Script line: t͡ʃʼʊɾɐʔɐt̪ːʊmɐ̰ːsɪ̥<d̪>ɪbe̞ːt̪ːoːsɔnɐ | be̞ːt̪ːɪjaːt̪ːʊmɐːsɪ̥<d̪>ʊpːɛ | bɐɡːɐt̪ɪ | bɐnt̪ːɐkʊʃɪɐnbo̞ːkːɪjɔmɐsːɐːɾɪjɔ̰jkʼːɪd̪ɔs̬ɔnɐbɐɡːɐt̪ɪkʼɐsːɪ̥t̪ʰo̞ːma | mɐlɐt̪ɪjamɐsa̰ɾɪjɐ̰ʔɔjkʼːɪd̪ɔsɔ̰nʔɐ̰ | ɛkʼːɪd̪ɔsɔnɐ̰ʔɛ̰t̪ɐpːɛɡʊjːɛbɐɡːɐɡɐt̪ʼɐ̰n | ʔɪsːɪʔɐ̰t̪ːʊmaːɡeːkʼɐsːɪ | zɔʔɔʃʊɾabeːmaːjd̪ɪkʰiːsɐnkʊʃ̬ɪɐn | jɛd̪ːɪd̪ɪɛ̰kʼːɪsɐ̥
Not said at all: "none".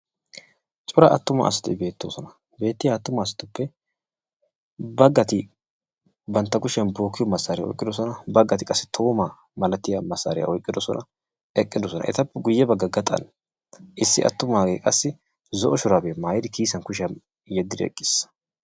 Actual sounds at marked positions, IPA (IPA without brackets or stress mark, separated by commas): t̪, t̪